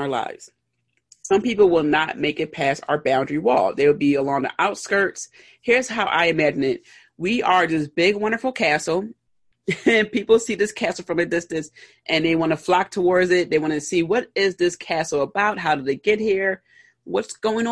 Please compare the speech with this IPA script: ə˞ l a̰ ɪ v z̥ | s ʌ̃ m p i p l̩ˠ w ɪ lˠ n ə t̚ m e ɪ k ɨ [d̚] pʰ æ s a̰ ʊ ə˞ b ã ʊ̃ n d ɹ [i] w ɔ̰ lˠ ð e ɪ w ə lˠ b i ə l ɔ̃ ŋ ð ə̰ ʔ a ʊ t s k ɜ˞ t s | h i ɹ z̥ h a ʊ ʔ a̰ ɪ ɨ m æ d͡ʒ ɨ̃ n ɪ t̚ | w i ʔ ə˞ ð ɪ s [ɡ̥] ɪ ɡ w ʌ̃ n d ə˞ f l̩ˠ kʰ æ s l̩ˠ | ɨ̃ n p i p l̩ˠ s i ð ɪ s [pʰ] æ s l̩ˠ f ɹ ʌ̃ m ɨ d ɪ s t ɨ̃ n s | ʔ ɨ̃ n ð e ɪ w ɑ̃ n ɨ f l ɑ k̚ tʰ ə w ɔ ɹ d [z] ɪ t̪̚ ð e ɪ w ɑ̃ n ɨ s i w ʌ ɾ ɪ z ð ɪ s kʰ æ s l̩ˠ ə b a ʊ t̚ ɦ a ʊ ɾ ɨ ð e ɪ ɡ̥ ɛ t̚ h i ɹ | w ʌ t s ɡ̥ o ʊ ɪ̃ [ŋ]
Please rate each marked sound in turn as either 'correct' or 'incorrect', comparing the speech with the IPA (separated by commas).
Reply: incorrect, correct, incorrect, incorrect, correct, correct